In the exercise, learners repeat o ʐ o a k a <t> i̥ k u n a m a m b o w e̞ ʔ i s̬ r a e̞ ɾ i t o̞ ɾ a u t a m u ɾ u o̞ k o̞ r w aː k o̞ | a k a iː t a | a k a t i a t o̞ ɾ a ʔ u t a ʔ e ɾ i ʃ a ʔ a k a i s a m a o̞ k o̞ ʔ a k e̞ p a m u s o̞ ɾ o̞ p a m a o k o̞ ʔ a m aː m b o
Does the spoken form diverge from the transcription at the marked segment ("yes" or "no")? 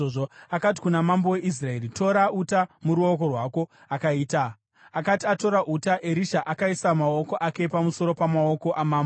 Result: no